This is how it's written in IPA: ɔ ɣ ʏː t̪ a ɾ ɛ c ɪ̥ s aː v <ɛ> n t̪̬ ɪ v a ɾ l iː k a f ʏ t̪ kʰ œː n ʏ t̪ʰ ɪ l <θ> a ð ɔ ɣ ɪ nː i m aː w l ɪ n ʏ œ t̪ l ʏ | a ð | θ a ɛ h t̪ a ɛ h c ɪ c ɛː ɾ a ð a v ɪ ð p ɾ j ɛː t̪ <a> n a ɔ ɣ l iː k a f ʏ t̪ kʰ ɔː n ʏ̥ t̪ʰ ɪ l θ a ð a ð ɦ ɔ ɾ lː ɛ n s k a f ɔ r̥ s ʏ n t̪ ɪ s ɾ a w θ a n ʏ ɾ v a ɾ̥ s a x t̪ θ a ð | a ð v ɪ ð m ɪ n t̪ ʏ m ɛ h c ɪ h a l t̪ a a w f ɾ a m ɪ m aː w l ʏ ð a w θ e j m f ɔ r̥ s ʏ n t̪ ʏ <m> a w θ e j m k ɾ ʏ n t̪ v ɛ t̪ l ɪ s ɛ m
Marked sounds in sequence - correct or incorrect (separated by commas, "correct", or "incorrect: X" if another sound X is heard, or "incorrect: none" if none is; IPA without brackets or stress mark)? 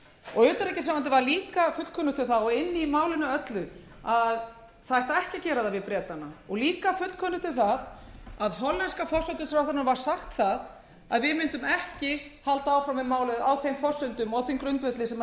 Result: incorrect: a, correct, correct, correct